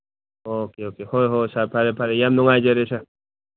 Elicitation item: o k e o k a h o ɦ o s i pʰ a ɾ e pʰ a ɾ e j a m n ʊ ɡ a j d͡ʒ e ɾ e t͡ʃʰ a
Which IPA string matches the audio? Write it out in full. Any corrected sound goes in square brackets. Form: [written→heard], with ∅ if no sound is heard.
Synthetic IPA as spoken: o k e o k [a→e] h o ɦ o s [i→a] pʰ a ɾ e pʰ a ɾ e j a m n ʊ [ɡ→ŋ] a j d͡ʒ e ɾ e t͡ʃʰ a